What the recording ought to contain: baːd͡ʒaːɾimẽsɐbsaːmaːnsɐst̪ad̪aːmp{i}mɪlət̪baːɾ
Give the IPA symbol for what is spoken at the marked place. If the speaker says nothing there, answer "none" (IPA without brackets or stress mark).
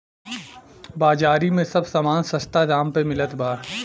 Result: e